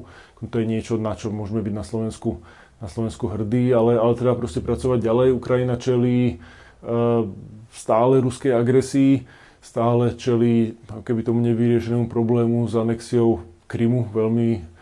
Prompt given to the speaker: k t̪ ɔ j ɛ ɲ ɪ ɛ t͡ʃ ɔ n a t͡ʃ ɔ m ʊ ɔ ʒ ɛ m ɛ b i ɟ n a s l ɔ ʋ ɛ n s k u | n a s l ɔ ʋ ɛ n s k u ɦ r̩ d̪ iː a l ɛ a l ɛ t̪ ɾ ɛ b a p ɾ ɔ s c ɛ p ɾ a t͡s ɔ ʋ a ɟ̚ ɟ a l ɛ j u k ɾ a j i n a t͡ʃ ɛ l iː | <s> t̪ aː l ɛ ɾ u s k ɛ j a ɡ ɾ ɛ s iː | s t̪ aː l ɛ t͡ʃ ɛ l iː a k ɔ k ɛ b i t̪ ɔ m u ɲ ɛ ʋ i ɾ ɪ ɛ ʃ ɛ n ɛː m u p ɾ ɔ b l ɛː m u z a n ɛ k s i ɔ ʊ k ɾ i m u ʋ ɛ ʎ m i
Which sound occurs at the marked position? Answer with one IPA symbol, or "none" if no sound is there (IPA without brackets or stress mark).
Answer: s